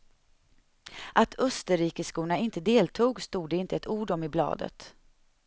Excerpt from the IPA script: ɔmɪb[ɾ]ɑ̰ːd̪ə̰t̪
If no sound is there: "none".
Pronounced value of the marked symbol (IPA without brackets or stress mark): l